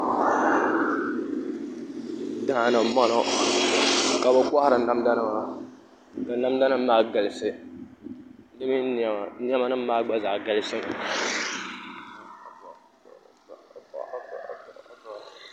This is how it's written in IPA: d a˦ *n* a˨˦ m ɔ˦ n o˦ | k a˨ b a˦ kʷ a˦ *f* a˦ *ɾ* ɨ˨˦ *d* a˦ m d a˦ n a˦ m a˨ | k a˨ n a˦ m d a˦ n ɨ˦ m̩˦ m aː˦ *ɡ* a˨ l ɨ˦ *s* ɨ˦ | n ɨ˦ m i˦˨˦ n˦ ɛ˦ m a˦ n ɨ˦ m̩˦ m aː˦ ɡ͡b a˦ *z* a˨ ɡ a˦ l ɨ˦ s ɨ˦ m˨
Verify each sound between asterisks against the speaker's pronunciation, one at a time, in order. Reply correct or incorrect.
correct, incorrect, correct, incorrect, correct, correct, correct

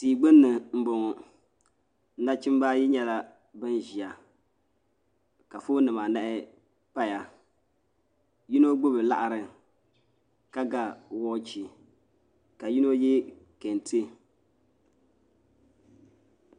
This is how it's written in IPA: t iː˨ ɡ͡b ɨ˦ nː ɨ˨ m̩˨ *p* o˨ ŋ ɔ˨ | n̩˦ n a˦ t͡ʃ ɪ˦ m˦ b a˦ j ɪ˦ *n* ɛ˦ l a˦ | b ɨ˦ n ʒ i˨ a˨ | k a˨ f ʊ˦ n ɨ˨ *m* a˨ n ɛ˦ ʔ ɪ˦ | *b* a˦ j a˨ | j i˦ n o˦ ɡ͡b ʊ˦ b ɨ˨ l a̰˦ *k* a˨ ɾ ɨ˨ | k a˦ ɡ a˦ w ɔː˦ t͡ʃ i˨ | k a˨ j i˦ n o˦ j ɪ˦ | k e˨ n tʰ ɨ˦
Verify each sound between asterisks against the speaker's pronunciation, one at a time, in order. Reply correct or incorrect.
incorrect, incorrect, correct, incorrect, incorrect

